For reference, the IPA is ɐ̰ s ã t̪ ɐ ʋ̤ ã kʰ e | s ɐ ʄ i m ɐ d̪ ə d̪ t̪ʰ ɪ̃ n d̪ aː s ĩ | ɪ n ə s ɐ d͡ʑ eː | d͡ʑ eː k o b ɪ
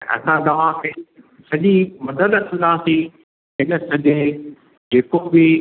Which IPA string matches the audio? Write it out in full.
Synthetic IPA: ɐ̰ s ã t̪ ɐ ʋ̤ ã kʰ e | s ɐ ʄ i m ɐ d̪ ə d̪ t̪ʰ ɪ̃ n d̪ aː s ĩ | ɪ n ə s ɐ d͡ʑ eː | d͡ʑ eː k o b ɪ

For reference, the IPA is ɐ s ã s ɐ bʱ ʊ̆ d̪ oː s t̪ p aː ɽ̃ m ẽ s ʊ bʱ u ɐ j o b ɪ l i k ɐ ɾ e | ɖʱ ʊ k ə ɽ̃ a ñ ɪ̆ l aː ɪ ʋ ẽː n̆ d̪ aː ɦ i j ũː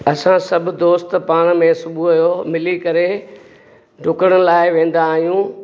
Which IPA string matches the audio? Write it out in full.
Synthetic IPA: ɐ s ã s ɐ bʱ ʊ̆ d̪ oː s t̪ p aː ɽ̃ m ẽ s ʊ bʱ u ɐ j o m ɪ l i k ɐ ɾ e | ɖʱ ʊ k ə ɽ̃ ə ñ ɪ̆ l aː ɪ ʋ ẽː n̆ d̪ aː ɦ i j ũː

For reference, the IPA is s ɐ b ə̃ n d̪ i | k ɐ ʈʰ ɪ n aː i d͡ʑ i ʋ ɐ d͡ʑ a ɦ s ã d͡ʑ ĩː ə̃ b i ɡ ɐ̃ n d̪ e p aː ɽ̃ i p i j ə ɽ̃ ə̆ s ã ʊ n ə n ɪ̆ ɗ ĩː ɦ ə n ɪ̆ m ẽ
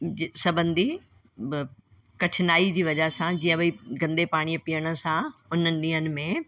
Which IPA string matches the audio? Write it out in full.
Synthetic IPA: s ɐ b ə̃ n d̪ i | k ɐ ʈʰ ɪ n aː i d͡ʑ iː ʋ ɐ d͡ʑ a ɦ s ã d͡ʑ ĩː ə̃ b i ɡ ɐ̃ n d̪ e p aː ɽ̃ i p i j ə ɽ̃ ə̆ s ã ʊ n ə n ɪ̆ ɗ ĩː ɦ ə n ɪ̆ m ẽ

